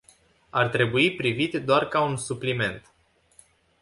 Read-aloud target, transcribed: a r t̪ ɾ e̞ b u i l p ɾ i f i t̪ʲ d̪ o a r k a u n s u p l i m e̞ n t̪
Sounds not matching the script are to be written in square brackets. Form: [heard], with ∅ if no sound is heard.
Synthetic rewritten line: a r t̪ ɾ e̞ b u i [∅] p ɾ i [v] i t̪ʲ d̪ o a r k a u n s u p l i m e̞ n t̪